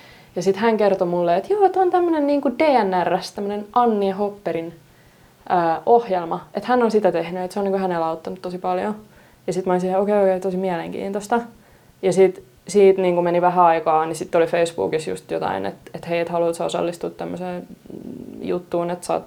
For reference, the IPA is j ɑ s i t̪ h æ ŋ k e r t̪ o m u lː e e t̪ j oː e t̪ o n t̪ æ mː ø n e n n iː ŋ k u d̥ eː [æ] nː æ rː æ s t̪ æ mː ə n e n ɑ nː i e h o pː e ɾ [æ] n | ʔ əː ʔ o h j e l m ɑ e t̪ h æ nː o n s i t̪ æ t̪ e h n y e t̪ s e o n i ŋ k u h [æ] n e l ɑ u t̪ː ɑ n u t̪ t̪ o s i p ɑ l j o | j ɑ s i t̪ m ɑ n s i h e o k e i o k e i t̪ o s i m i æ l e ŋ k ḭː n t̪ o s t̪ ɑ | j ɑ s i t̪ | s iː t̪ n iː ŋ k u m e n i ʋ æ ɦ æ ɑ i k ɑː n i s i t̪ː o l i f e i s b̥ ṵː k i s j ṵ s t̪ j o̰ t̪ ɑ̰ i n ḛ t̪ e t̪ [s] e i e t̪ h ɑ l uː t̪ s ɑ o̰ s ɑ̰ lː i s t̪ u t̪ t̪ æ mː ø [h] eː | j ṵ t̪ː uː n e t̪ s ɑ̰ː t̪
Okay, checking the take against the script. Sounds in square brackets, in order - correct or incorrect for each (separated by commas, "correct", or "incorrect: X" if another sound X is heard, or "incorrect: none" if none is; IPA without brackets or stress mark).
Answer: correct, incorrect: i, correct, incorrect: h, incorrect: s